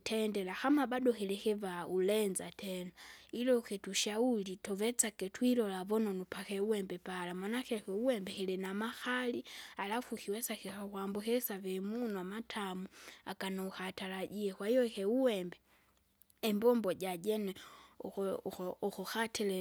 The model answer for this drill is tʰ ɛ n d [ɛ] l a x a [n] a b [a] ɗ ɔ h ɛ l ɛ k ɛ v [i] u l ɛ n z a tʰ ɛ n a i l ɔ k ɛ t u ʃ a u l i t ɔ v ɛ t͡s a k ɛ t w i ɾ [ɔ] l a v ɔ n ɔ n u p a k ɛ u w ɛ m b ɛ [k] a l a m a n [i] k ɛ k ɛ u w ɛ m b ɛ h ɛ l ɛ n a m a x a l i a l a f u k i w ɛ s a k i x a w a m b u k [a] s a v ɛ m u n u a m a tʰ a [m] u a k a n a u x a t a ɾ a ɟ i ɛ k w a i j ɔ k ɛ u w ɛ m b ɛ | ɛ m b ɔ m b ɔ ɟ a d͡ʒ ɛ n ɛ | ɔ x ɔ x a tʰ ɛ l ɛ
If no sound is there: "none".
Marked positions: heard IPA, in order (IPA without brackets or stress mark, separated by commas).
ɛ, m, a, a, ɔ, p, a, ɛ, m